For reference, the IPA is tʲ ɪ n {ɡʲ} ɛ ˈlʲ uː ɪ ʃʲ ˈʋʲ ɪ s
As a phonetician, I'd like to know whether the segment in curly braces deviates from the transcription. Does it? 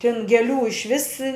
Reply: no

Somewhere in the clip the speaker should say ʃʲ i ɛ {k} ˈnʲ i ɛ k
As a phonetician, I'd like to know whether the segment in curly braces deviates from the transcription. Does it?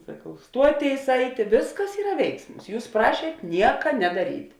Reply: yes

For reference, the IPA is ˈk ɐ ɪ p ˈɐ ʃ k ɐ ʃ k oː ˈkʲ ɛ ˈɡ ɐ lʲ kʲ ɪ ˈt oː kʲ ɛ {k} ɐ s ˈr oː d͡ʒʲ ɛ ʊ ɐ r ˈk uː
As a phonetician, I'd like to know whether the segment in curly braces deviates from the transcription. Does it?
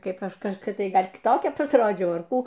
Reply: yes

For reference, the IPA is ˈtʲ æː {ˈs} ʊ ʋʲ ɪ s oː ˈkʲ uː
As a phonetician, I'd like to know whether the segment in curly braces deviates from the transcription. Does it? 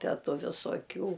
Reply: yes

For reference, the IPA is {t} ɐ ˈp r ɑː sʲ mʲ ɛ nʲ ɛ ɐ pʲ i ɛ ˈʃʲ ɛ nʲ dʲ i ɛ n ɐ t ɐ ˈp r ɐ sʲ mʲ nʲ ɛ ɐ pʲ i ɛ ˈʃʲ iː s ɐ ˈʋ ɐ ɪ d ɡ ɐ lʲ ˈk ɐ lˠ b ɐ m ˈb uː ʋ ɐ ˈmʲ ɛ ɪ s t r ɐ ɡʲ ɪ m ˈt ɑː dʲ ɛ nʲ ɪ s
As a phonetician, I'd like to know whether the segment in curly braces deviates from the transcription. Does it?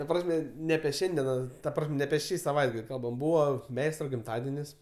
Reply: no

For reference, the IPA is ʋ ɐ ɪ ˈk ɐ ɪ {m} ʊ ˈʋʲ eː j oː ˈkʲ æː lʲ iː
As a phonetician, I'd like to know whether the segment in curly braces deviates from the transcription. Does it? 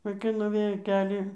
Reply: yes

